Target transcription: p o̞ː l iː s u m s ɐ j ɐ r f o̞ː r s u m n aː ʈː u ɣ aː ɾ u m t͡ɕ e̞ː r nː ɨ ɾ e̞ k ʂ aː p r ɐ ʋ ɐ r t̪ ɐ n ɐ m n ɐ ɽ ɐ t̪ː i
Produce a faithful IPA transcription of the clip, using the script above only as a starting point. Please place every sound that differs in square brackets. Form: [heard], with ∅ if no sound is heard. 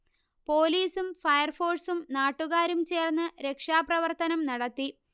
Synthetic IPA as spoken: p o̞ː l iː s u m [f] ɐ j ɐ r f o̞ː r s u m n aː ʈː u ɣ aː ɾ u m t͡ɕ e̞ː r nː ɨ ɾ e̞ k ʂ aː p r ɐ ʋ ɐ r t̪ ɐ n ɐ m n ɐ ɽ ɐ t̪ː i